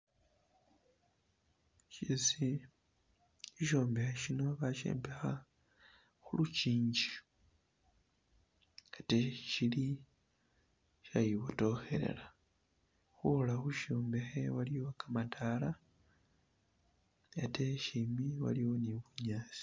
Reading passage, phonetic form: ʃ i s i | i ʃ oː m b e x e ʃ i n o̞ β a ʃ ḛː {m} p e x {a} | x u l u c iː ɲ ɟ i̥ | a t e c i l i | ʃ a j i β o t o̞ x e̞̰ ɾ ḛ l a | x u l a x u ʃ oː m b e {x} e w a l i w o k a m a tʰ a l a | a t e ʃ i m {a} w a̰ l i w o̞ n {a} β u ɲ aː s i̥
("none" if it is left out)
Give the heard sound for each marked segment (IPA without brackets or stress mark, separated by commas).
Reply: m, a, x, i, i